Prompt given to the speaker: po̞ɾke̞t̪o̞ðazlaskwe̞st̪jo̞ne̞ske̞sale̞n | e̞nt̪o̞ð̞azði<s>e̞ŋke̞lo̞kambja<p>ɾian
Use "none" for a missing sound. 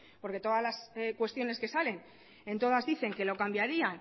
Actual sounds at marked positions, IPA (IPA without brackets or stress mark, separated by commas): θ, none